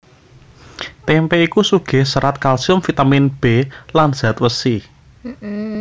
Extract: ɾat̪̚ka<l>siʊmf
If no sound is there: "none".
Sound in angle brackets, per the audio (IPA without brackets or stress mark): l